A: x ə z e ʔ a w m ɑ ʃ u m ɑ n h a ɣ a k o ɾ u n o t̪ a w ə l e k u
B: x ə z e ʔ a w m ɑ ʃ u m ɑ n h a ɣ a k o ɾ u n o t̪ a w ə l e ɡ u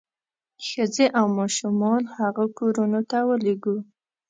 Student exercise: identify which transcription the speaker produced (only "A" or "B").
B